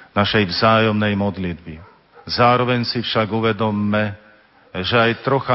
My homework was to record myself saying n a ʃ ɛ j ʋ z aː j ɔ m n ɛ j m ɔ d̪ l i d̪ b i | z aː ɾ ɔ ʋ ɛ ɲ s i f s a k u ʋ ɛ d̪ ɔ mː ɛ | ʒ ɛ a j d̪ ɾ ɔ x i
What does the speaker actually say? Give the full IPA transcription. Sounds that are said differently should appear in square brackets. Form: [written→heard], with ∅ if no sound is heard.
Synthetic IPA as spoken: n a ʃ ɛ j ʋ z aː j ɔ m n ɛ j m ɔ d̪ l i d̪ b i | z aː ɾ ɔ ʋ ɛ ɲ s i f [s→ʃ] a [k→ɡ] u ʋ ɛ d̪ ɔ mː ɛ | ʒ ɛ a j [d̪→t̪] ɾ ɔ x [i→a]